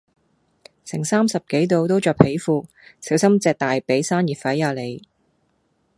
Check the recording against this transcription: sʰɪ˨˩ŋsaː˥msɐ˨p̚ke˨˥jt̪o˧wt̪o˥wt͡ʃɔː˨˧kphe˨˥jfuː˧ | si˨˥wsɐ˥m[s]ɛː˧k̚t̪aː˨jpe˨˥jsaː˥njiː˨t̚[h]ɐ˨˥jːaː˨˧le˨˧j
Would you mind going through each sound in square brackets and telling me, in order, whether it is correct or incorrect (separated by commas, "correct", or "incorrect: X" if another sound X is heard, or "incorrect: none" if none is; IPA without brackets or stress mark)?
incorrect: t͡s, incorrect: f